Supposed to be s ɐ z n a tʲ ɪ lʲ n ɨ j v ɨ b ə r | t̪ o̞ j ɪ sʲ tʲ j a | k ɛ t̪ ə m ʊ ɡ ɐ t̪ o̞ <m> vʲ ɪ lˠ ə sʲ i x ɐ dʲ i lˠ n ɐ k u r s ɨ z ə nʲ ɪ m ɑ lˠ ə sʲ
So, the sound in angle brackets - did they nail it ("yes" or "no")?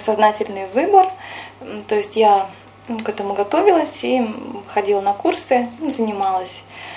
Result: no